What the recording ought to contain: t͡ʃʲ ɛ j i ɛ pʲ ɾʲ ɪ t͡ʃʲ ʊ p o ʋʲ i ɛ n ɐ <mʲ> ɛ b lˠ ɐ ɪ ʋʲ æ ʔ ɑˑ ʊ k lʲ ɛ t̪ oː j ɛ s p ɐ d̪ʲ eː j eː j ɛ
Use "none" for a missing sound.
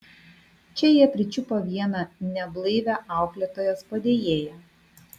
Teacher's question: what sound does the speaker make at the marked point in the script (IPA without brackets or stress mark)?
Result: nʲ